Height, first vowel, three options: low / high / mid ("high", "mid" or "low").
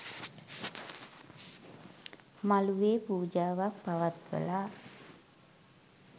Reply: low